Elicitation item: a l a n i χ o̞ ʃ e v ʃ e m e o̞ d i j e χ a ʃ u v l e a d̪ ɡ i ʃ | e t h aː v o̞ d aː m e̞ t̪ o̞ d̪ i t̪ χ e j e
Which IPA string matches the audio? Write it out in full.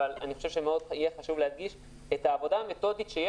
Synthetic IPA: a l a n i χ o̞ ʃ e v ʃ e m e o̞ d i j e χ a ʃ u v l e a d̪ ɡ i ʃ | e t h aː v o̞ d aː m e̞ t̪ o̞ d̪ i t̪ ʃ e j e